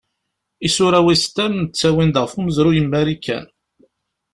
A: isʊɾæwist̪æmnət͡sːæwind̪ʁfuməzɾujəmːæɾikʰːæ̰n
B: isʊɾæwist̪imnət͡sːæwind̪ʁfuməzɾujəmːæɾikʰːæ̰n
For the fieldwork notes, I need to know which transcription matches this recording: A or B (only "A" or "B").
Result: A